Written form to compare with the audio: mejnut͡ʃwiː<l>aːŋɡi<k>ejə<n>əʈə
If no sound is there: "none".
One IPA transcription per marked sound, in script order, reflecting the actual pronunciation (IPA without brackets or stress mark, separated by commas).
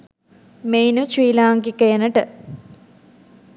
l, k, n